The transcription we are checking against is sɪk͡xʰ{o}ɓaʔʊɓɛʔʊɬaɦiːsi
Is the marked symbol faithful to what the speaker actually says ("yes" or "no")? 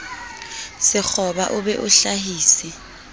no